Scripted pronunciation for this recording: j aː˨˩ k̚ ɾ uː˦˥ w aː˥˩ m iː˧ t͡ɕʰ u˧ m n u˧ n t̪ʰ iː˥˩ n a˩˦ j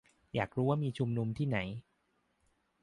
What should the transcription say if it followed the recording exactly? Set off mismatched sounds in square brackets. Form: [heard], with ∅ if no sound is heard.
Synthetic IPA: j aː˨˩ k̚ ɾ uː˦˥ w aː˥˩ m iː˧ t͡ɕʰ u˧ m n u˧ [m] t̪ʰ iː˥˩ n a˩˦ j

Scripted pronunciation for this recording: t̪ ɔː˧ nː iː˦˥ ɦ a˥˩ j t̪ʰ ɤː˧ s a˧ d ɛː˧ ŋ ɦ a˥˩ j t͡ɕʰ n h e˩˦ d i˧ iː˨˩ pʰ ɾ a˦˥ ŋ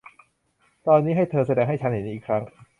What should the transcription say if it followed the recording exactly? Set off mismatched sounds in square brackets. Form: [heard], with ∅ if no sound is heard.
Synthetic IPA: t̪ ɔː˧ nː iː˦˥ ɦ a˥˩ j t̪ʰ ɤː˧ s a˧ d ɛː˧ ŋ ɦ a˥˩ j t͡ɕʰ n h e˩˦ [n] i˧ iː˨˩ [kʰ] ɾ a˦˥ ŋ

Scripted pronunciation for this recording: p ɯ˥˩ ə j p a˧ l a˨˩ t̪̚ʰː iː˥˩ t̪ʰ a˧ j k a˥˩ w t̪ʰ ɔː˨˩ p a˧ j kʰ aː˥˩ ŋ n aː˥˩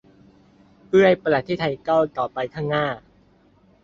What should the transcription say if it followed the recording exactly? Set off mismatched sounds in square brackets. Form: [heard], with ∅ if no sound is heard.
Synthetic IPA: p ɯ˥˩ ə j p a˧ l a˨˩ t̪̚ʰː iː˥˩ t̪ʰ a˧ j k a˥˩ w [t̪] ɔː˨˩ p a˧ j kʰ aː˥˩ ŋ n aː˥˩

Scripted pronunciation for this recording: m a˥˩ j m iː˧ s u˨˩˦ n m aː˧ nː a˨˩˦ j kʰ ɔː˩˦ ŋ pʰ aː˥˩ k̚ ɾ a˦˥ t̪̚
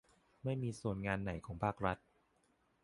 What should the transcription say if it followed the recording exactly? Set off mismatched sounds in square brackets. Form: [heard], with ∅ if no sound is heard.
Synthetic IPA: m a˥˩ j m iː˧ s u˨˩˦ n [ŋ] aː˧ nː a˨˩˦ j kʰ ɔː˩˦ ŋ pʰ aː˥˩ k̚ ɾ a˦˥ t̪̚

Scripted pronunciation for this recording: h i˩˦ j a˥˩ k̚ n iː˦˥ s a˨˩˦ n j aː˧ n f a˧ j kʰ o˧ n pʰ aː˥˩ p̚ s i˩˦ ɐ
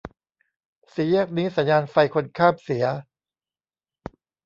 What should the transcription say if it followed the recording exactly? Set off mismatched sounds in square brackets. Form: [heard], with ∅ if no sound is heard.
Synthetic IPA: [s] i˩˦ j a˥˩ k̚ n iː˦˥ s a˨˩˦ n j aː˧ n f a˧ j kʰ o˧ n [kʰ] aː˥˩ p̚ s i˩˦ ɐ

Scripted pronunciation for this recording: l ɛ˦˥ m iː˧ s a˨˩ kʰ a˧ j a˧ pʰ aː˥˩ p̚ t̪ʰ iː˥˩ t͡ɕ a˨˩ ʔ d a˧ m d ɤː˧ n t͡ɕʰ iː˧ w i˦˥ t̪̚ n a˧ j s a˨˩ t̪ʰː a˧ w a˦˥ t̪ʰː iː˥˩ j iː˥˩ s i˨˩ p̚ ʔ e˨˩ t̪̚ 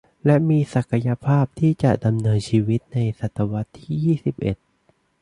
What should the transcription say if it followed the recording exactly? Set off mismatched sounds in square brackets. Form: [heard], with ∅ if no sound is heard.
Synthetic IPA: l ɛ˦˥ m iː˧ s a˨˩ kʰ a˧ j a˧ pʰ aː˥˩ p̚ t̪ʰ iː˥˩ t͡ɕ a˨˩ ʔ d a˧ m [n] ɤː˧ n t͡ɕʰ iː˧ w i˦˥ t̪̚ n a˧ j s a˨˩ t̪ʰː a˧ w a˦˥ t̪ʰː iː˥˩ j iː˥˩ s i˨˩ p̚ ʔ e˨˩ t̪̚

